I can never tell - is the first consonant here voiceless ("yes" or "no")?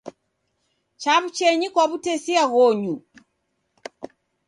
yes